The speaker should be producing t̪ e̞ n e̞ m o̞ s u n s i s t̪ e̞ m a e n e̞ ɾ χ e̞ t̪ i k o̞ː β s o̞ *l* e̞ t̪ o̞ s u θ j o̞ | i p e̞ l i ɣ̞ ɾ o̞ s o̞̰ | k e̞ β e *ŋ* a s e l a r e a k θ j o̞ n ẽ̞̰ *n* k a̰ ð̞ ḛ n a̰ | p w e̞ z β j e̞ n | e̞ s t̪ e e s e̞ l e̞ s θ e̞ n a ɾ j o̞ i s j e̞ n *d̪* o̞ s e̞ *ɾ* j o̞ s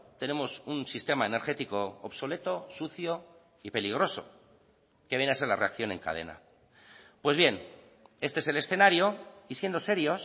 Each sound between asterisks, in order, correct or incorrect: correct, incorrect, incorrect, correct, correct

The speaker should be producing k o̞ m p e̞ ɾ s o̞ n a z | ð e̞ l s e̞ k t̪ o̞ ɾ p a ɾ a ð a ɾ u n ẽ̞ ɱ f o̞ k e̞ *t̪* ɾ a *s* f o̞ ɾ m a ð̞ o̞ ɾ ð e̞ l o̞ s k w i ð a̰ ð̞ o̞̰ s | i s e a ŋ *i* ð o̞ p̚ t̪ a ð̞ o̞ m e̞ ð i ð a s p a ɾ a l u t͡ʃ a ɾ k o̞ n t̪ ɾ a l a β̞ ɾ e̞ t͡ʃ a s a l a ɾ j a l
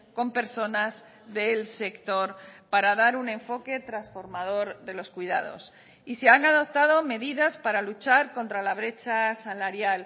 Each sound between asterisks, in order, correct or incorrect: correct, correct, incorrect

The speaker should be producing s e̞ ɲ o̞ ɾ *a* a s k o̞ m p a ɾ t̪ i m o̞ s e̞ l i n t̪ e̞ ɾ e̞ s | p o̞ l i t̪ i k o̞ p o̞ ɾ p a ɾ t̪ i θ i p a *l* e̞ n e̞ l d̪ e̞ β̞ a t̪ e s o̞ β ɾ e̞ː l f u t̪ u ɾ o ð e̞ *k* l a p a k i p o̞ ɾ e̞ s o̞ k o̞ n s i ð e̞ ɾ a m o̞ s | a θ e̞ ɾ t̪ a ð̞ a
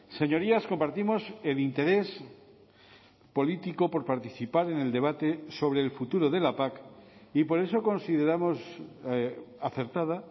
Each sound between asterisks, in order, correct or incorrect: incorrect, incorrect, incorrect

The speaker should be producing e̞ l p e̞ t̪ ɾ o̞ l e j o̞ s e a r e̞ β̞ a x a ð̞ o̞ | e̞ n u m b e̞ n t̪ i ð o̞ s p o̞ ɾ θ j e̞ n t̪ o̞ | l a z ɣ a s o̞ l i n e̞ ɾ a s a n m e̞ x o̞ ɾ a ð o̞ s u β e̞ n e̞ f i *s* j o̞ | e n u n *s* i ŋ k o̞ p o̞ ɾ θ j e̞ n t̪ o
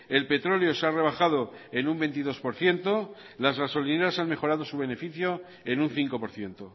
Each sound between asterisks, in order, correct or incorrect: incorrect, incorrect

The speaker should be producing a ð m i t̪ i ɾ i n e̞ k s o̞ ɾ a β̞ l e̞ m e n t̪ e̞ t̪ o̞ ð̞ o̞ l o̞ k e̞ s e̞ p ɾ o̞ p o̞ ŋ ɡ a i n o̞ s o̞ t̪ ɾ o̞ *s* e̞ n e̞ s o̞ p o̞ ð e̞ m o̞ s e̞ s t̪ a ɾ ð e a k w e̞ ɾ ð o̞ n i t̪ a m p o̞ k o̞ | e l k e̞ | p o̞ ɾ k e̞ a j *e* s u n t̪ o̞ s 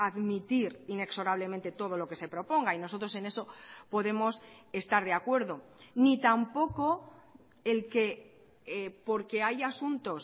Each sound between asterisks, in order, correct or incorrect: correct, incorrect

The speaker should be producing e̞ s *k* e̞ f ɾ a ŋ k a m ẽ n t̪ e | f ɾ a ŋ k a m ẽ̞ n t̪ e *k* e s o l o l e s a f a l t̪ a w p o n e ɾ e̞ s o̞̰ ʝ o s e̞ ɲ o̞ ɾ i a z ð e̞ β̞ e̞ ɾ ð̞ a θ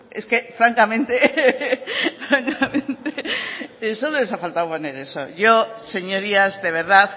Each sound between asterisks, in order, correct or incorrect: correct, incorrect

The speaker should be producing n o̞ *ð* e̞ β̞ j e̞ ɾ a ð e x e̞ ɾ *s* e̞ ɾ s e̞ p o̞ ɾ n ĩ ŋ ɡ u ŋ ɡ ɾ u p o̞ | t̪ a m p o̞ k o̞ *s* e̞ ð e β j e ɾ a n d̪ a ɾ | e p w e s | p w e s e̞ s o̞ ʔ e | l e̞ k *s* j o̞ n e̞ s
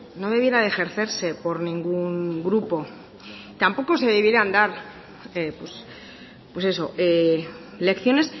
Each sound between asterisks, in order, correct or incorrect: correct, incorrect, correct, incorrect

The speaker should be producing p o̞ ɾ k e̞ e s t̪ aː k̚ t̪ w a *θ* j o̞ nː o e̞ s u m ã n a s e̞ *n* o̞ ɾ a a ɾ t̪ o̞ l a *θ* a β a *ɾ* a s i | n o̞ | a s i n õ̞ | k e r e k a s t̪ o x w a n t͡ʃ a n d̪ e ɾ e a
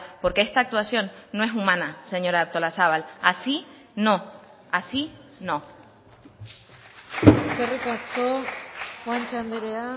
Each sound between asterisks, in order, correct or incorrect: incorrect, incorrect, incorrect, incorrect

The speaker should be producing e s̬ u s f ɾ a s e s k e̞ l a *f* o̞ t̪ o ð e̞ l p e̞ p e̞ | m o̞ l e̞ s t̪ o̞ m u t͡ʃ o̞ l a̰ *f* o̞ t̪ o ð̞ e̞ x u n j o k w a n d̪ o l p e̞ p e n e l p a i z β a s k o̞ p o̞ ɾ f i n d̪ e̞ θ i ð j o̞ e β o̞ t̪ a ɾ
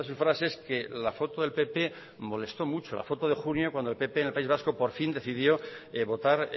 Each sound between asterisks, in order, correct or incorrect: correct, correct

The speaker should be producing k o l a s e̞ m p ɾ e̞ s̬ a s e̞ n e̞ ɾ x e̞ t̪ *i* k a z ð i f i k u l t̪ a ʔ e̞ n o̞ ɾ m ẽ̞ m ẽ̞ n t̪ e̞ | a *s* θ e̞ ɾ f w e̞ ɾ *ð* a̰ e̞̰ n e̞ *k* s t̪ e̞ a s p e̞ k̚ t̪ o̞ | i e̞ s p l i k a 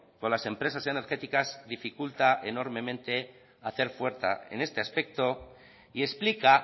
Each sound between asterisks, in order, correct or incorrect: correct, incorrect, incorrect, incorrect

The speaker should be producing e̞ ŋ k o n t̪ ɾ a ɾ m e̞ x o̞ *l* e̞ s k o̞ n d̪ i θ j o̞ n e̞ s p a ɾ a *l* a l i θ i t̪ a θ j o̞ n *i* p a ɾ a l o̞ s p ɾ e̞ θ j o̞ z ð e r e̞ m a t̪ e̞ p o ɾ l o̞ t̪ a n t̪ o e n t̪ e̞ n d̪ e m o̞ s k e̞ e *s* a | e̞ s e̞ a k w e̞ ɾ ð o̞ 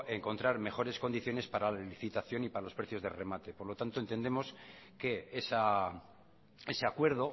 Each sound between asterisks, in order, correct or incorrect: incorrect, correct, correct, correct

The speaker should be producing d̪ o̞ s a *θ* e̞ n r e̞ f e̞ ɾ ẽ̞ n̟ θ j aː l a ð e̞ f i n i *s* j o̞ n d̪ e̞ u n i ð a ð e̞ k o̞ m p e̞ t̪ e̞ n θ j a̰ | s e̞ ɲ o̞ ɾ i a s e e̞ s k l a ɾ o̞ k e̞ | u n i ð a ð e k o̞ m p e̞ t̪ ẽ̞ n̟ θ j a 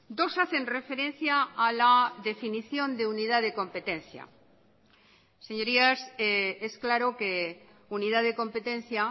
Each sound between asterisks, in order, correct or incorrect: correct, incorrect

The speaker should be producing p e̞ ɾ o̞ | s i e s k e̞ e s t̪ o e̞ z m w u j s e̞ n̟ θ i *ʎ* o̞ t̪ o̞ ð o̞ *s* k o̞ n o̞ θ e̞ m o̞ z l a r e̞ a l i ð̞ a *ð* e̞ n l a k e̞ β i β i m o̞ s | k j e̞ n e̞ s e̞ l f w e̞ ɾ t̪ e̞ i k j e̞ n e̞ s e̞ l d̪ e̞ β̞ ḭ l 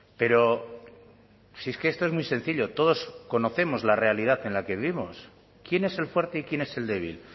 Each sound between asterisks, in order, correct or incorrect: correct, correct, incorrect

